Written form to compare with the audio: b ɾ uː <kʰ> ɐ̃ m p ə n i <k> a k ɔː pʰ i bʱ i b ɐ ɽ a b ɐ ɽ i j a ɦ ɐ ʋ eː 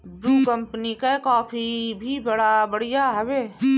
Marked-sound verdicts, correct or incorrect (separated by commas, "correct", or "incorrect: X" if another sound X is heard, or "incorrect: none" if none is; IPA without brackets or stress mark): incorrect: k, correct